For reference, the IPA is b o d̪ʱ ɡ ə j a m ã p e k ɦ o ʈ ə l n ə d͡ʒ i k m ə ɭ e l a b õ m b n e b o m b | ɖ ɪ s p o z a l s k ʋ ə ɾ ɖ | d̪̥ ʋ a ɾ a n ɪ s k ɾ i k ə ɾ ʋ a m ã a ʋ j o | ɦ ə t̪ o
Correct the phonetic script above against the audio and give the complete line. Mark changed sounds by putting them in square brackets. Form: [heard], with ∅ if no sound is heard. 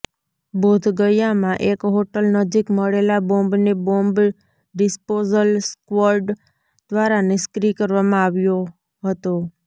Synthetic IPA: b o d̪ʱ ɡ ə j a m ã [ʔ] e k ɦ o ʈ ə l n ə d͡ʒ i k m ə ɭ e l a b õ m b n e b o m b | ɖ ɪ s p o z [ə] l s k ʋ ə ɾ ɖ | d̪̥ ʋ a ɾ a n ɪ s k ɾ i k ə ɾ ʋ a m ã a ʋ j o | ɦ ə t̪ o